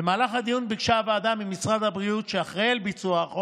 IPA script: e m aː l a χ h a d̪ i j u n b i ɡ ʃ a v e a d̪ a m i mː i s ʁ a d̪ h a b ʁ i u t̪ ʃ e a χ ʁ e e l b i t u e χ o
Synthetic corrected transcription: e m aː l a χ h a d̪ i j u n b i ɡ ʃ a v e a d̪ a m i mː i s ʁ a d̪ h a b ʁ i u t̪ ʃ e a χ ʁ e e l b i t͡s u a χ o